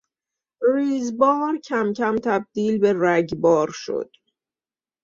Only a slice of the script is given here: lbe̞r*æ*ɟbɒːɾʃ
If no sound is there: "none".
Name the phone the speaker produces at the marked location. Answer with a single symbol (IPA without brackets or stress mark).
æ